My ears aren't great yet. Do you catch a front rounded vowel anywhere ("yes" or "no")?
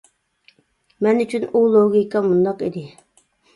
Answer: yes